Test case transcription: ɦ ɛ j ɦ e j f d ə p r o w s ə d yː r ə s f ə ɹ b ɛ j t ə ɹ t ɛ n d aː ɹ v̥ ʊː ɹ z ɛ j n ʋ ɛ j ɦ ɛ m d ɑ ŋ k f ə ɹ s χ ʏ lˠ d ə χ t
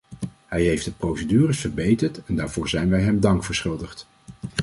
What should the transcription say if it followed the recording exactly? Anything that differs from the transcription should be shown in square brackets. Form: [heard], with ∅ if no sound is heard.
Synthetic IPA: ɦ ɛ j ɦ e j f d ə p r o w s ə d yː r ə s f ə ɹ b [e] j t ə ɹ t ɛ n d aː ɹ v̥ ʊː ɹ z ɛ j n ʋ ɛ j ɦ ɛ m d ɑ ŋ k f ə ɹ s χ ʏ lˠ d ə χ t